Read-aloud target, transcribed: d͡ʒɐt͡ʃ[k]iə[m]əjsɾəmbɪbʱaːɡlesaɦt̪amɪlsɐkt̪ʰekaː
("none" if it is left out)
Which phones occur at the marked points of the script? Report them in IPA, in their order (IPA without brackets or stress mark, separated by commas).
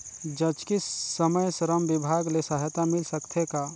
k, m